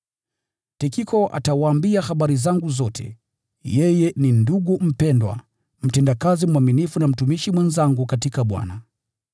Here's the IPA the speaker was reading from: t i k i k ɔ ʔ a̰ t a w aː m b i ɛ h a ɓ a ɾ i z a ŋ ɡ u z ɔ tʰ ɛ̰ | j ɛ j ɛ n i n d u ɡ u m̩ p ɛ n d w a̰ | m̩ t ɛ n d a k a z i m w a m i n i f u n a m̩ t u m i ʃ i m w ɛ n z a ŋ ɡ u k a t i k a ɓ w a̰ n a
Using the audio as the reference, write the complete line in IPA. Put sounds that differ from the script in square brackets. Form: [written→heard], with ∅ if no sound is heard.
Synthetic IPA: t i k i k ɔ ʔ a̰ t a w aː m b i [ɛ→a] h a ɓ a ɾ i z a ŋ ɡ u z ɔ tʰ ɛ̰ | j ɛ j ɛ n i n d u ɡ u m̩ p ɛ n d w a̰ | m̩ t ɛ n d a k a z i m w a m i n i f u n a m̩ t u m i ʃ i m w ɛ n z a ŋ ɡ u k a t i k a ɓ w a̰ n a